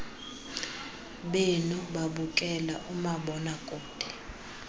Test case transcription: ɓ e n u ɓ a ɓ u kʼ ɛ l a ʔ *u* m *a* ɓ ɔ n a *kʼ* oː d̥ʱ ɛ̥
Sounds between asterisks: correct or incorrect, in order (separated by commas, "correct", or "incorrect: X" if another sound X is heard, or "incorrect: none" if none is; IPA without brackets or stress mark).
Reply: correct, correct, correct